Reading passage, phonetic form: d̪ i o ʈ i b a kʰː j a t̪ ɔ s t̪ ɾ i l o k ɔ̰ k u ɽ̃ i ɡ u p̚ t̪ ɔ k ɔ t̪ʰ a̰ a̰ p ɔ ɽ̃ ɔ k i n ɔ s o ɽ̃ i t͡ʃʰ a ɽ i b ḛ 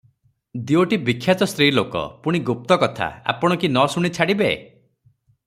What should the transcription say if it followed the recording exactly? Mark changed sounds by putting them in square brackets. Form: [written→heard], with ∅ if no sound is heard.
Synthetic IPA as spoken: d̪ i o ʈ i b [a→i] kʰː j a t̪ ɔ s t̪ ɾ i l o k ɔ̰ [k→p] u ɽ̃ i ɡ u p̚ t̪ ɔ k ɔ t̪ʰ a̰ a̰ p ɔ ɽ̃ ɔ k i n ɔ s [o→u] ɽ̃ i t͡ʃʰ a ɽ i b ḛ